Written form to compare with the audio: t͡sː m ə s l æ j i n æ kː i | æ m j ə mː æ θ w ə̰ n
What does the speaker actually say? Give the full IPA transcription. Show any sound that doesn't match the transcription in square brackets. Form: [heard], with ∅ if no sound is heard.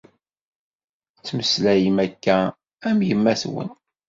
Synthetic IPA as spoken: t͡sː m ə s l æ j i [m] æ kː [æ] | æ m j ə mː æ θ w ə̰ n